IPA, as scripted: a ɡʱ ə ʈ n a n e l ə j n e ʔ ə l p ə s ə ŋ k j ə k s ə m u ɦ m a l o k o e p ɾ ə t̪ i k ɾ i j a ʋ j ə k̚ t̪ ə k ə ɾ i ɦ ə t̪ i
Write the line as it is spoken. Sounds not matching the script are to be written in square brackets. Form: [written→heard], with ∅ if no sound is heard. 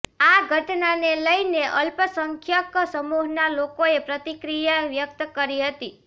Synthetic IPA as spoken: a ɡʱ ə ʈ n a n e l ə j n e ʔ ə l p ə s ə ŋ [k→kʰ] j ə k s ə m u ɦ [m→n] a l o k o e p ɾ ə t̪ i k ɾ i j a ʋ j ə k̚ t̪ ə k ə ɾ i ɦ ə t̪ i